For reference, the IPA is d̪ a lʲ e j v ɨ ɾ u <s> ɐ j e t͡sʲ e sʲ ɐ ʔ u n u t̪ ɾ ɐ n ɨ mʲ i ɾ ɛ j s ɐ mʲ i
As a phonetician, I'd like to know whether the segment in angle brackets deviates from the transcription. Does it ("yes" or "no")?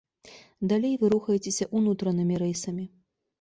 yes